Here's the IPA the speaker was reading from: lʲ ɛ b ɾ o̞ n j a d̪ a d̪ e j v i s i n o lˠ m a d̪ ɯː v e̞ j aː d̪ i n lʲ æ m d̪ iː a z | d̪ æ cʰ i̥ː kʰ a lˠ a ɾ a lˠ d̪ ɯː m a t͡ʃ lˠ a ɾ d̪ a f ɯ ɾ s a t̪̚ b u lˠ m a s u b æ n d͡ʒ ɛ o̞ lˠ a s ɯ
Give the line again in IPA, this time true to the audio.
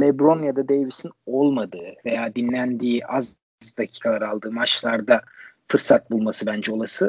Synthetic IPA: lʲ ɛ b ɾ o̞ n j a d̪ a d̪ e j v i s i n o lˠ m a d̪ ɯː v e̞ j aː d̪ i n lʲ æ n d̪ iː a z | d̪ a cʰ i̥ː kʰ a lˠ a ɾ a lˠ d̪ ɯː m a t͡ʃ lˠ a ɾ d̪ a f ɯ ɾ s a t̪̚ b u lˠ m a s ɯ b æ n d͡ʒ ɛ o̞ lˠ a s ɯ